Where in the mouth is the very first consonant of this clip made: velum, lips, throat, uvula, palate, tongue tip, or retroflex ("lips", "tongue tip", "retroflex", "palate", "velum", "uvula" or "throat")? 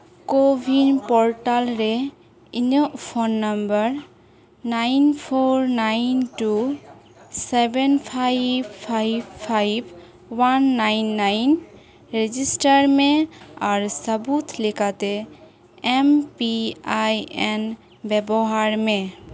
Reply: velum